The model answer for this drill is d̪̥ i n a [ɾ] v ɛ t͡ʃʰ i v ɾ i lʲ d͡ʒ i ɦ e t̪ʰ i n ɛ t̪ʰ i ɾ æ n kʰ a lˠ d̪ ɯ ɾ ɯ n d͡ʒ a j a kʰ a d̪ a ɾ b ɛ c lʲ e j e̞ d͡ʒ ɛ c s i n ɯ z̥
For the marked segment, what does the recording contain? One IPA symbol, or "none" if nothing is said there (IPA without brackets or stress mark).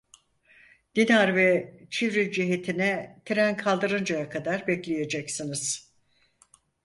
ɾ